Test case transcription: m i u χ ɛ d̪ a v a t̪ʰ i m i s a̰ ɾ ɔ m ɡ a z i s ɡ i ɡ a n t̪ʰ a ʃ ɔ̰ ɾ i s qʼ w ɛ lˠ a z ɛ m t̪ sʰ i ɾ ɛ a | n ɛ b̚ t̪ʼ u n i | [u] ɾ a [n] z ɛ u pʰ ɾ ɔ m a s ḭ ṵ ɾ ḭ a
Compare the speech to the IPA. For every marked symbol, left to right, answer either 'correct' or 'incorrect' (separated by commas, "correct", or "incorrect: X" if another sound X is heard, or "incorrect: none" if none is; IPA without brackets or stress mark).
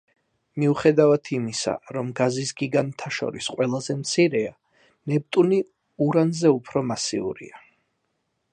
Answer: correct, correct